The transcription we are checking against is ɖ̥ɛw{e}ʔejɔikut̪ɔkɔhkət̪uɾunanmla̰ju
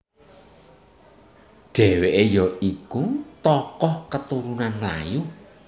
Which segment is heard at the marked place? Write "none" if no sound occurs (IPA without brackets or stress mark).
e